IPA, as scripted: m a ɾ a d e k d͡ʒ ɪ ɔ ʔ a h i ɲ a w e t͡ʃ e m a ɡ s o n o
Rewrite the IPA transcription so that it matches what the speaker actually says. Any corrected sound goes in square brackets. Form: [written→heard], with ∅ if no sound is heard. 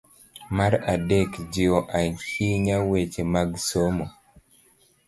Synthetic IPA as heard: m a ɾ a d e k d͡ʒ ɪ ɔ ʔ a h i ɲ a w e t͡ʃ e m a ɡ s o [n→m] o